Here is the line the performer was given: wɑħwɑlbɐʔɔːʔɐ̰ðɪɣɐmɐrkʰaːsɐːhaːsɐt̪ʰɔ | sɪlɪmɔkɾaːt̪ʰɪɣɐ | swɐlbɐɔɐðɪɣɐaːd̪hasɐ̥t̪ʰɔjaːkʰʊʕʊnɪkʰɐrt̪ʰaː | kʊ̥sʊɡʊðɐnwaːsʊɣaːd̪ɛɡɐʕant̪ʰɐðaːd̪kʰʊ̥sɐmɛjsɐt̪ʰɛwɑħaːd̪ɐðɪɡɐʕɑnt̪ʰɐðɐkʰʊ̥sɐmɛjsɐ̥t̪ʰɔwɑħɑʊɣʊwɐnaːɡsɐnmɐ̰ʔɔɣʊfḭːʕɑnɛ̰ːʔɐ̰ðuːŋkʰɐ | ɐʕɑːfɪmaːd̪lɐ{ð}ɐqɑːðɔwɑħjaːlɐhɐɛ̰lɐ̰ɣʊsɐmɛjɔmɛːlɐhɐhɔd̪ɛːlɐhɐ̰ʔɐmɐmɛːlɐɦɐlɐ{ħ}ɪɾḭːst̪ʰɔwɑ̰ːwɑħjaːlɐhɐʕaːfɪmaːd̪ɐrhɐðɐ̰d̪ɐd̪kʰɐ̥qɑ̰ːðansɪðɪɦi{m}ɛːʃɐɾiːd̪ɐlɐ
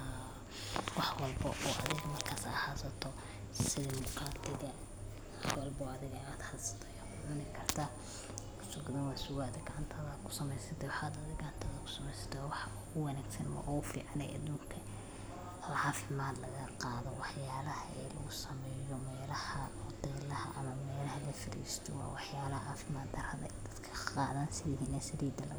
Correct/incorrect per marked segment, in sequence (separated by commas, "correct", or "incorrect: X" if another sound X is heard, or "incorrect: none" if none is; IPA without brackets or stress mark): incorrect: ɣ, incorrect: f, incorrect: n